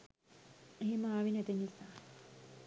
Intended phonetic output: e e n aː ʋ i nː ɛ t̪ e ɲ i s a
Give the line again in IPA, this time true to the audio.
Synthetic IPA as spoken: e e m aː ʋ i n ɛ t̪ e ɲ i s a